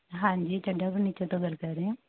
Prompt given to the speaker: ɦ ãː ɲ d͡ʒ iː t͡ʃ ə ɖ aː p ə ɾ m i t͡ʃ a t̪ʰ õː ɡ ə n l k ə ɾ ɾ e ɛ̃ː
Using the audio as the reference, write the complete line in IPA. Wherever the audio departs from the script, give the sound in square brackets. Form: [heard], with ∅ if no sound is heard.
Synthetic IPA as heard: ɦ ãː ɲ d͡ʒ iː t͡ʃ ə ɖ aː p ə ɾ [n] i t͡ʃ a [t̪] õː ɡ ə [∅] l k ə ɾ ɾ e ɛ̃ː